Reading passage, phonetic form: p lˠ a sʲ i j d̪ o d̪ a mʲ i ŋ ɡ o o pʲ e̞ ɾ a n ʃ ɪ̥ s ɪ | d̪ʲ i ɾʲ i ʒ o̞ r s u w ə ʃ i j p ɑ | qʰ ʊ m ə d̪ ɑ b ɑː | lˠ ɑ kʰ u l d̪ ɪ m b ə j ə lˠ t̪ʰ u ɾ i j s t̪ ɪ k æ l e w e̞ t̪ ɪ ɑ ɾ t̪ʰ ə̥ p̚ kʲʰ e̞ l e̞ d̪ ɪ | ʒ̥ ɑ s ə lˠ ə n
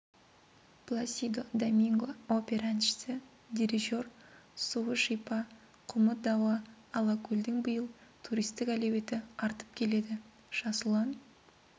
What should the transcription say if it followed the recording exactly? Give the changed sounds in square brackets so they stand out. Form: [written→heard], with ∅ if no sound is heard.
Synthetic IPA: p lˠ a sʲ i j d̪ o d̪ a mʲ i ŋ ɡ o o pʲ e̞ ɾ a n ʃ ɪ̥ s ɪ | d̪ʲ i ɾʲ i ʒ o̞ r s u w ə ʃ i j p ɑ | qʰ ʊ m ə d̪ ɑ [b→w] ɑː | lˠ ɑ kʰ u l d̪ ɪ [m→ŋ] b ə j ə lˠ t̪ʰ u ɾ i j s t̪ ɪ k æ l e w e̞ t̪ ɪ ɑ ɾ [t̪ʰ→t̪] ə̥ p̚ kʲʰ e̞ l e̞ d̪ ɪ | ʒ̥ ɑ s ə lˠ [ə→ɑ] n